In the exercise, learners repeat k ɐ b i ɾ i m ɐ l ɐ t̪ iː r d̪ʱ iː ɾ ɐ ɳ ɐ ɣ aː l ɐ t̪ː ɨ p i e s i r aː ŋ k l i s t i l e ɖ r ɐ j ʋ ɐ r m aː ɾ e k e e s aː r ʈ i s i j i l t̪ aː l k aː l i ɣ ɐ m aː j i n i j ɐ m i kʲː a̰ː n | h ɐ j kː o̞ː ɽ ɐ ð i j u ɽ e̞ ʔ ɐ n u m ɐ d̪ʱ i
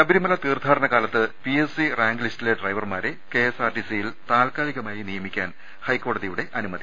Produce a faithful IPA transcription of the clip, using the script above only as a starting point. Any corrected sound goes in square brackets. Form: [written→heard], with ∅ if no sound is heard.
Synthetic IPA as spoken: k ɐ b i ɾ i m ɐ l ɐ t̪ iː r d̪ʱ [iː→aː] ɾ ɐ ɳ ɐ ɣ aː l ɐ t̪ː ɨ p i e s i r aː ŋ [k→ɡ] l i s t i l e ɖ r ɐ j ʋ ɐ r m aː ɾ e k e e s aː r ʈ i s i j i l t̪ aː l k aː l i ɣ ɐ m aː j i n i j ɐ m i kʲː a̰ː n | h ɐ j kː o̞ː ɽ ɐ ð i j u ɽ e̞ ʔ ɐ n u m ɐ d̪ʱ i